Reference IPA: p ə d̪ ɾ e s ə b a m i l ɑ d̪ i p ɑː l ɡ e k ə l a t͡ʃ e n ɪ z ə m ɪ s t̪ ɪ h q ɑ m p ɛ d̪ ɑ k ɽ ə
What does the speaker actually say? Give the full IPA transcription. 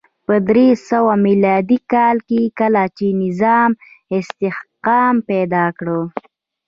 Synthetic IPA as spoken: p ə d̪ ɾ e s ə w a m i l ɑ d̪ i k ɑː l k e k ə l a t͡ʃ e n ɪ z ɑ m ɪ s t̪ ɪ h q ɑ m p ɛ d̪ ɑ k ɽ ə